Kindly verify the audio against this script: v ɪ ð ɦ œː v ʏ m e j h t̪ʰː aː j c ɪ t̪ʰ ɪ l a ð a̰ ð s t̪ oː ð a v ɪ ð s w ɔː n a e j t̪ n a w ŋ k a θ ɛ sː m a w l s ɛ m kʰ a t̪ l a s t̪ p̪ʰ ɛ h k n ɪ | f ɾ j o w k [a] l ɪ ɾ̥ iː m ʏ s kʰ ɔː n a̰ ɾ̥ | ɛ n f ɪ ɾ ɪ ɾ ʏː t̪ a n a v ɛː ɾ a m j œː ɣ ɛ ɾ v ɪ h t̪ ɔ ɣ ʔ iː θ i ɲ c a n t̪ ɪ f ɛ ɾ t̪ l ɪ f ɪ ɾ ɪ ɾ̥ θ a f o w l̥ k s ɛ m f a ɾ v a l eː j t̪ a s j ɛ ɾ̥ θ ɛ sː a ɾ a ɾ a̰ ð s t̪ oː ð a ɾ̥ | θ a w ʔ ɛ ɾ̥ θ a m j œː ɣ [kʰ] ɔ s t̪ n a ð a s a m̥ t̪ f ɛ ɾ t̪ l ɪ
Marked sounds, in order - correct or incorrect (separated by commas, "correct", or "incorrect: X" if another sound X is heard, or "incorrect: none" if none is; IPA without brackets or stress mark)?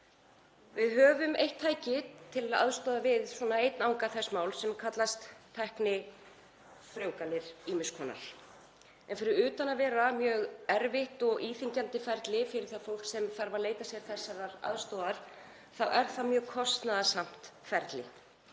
correct, correct